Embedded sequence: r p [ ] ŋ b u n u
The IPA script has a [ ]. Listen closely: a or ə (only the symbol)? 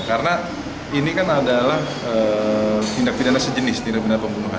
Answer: ə